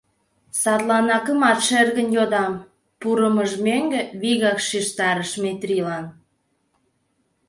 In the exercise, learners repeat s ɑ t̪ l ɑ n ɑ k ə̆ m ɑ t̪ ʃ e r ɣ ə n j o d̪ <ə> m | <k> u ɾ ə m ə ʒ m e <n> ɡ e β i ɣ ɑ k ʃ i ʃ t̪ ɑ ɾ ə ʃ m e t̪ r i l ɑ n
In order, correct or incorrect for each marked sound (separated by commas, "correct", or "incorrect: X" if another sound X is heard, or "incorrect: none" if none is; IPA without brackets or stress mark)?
incorrect: ɑ, incorrect: p, incorrect: ŋ